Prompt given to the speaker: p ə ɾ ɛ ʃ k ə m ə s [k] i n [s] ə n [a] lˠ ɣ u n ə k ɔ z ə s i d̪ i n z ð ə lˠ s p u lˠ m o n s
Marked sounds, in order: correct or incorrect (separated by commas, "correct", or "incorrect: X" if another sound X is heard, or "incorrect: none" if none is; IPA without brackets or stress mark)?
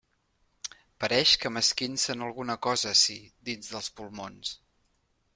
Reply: correct, correct, incorrect: ə